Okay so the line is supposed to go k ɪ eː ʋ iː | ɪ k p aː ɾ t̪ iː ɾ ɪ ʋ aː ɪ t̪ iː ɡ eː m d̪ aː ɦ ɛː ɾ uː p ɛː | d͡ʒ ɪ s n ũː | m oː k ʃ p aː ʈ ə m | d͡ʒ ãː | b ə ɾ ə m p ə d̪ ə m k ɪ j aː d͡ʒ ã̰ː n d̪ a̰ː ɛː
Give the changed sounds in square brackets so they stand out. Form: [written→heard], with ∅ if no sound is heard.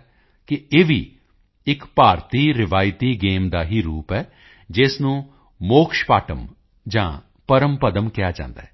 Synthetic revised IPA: k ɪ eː ʋ iː | ɪ k p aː ɾ t̪ iː ɾ ɪ ʋ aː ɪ t̪ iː ɡ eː m d̪ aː ɦ [ɛː→iː] ɾ uː p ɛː | d͡ʒ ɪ s n ũː | m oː k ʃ p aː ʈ ə m | d͡ʒ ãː | [b→p] ə ɾ ə m p ə d̪ ə m k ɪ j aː d͡ʒ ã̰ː n d̪ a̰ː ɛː